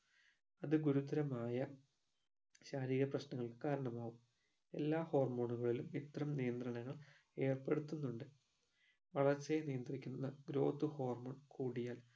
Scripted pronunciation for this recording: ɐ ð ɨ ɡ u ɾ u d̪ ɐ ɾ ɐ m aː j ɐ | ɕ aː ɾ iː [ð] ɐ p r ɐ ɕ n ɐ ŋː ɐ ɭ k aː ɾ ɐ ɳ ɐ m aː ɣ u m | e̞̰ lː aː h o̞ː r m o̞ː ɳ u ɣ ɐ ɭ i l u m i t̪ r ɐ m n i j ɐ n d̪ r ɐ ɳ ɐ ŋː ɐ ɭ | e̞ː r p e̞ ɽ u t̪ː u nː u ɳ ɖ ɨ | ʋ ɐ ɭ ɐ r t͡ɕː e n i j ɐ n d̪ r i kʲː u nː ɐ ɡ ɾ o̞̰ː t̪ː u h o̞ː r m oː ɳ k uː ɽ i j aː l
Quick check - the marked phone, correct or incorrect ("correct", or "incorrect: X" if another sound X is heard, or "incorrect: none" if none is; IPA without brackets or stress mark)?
incorrect: ɣ